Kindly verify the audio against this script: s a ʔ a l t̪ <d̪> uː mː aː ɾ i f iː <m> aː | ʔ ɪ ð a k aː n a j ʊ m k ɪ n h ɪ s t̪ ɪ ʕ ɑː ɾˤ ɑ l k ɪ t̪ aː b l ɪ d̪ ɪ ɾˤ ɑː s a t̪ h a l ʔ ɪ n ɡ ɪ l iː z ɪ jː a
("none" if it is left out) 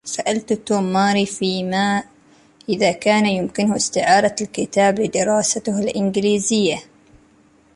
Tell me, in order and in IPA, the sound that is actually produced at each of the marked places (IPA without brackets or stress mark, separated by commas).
t̪, m